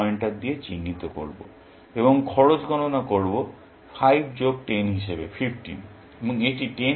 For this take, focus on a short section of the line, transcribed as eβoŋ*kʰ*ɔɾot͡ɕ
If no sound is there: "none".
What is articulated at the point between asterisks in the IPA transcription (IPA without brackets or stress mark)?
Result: kʰ